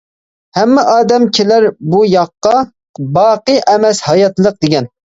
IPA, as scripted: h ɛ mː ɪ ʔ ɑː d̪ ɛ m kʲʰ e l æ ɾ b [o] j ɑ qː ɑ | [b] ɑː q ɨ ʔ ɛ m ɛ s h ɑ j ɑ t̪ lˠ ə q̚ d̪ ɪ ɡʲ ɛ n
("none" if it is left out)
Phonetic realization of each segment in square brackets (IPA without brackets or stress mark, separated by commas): u, b